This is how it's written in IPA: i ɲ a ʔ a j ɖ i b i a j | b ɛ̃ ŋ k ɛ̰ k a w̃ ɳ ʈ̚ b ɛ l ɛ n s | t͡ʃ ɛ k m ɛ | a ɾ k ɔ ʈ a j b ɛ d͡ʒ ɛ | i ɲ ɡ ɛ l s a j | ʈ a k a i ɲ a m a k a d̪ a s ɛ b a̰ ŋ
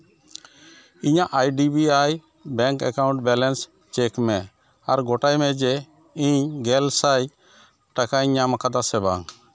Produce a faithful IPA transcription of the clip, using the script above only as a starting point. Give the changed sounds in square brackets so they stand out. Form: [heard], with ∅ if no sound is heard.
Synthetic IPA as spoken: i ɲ a ʔ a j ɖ i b i a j | b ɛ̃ ŋ k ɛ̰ k a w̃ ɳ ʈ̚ b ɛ l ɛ n s | t͡ʃ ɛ k m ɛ | a ɾ [ɡ] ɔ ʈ a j [m] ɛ d͡ʒ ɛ | i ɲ ɡ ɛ l s a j | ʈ a k a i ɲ a m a k a d̪ a s ɛ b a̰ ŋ